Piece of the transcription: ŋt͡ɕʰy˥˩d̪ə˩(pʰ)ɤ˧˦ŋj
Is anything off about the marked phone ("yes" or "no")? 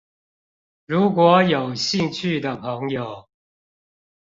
no